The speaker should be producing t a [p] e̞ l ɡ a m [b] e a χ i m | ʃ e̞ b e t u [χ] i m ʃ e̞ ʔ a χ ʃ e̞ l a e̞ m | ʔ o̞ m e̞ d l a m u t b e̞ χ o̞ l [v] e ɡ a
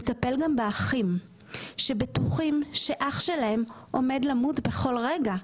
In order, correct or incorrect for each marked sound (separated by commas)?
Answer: correct, correct, correct, incorrect